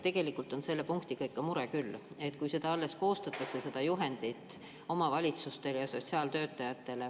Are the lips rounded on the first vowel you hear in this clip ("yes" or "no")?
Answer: no